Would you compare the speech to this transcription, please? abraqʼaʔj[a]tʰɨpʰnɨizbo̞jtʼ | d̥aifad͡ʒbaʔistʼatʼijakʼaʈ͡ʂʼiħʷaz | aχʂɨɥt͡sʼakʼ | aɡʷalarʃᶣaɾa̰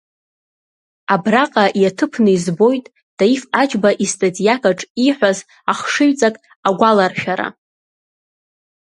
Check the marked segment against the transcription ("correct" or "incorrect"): correct